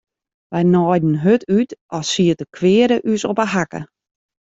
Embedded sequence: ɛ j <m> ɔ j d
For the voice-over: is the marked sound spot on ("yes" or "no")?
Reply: no